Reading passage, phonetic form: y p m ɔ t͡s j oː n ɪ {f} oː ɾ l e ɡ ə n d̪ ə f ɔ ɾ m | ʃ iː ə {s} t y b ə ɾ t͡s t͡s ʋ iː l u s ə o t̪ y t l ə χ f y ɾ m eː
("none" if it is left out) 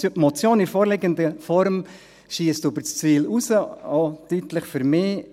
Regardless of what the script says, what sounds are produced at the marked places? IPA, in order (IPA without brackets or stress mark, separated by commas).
f, s